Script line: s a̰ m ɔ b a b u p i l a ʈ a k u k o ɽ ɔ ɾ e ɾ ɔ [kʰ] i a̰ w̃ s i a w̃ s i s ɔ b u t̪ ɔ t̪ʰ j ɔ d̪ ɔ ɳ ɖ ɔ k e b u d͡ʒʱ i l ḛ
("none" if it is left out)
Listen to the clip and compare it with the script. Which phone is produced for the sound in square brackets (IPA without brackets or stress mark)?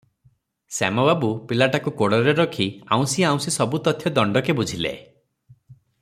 kʰ